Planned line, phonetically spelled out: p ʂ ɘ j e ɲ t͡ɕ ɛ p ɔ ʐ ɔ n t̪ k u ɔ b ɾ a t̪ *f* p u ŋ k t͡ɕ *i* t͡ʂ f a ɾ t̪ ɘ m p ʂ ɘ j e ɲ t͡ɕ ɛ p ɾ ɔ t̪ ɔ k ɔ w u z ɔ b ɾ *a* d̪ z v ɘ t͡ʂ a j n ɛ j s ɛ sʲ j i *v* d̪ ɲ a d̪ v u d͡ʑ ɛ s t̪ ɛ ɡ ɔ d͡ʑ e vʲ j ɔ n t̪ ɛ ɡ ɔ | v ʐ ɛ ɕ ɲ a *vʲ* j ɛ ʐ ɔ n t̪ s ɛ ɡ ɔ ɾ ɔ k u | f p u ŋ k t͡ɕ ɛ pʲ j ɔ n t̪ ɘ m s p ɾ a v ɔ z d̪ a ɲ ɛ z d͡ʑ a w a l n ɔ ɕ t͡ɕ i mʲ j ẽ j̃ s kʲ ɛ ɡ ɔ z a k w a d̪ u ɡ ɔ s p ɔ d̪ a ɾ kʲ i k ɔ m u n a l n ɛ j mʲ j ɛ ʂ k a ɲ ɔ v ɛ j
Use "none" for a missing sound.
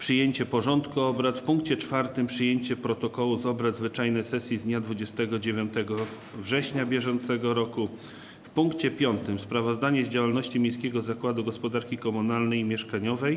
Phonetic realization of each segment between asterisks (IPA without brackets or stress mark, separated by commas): f, ɛ, a, z, bʲ